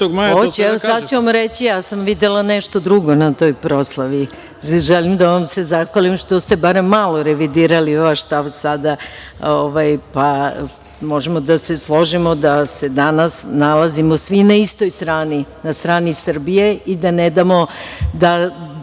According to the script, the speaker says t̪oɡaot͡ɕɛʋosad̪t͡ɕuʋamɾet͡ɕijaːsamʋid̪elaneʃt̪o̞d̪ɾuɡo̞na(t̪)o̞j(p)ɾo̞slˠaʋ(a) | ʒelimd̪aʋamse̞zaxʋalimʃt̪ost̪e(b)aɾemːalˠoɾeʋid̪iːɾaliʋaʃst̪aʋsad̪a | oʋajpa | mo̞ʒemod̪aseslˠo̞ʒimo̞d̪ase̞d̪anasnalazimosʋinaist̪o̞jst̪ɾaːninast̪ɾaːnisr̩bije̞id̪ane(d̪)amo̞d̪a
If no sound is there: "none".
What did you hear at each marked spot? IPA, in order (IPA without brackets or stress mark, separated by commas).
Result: t̪, p, i, b, d̪